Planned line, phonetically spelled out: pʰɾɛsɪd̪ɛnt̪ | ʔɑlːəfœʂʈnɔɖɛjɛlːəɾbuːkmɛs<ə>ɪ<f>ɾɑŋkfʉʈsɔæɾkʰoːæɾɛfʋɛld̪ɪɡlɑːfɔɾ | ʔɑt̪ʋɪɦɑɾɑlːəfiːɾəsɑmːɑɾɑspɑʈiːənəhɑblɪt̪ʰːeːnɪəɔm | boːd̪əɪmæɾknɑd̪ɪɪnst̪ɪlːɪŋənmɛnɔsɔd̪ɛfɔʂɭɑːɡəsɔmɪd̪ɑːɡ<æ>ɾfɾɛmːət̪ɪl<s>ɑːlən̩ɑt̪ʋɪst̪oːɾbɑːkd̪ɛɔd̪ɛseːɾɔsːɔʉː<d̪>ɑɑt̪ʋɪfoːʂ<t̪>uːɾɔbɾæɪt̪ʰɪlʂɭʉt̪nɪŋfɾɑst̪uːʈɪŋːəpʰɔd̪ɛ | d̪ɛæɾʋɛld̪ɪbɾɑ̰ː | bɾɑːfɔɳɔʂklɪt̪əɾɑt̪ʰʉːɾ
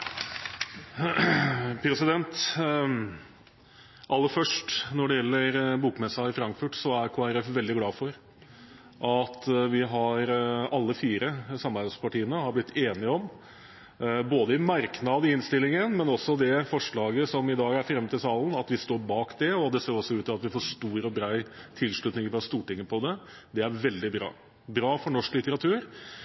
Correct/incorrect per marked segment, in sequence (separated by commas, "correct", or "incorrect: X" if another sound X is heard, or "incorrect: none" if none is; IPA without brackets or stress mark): incorrect: ɑ, correct, correct, correct, incorrect: t̪, correct